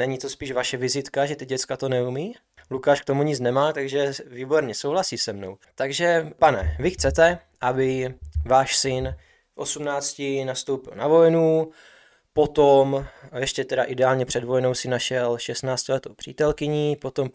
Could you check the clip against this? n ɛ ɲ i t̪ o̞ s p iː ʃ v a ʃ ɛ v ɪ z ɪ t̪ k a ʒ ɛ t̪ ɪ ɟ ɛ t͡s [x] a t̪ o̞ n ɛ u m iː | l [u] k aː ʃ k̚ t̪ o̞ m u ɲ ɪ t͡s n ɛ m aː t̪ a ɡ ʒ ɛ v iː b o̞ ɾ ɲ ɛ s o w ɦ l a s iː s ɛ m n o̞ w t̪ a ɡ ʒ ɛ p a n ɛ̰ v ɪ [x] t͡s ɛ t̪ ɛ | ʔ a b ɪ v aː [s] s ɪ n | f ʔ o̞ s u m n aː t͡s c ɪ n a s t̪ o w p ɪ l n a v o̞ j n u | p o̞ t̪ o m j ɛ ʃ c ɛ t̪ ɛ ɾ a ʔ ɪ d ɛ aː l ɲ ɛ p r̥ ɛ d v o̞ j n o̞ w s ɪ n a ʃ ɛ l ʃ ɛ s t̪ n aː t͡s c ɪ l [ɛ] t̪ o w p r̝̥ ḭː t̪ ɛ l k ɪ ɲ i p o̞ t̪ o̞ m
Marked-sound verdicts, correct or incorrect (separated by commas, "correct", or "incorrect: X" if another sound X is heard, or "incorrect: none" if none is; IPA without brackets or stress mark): incorrect: k, correct, correct, incorrect: ʃ, correct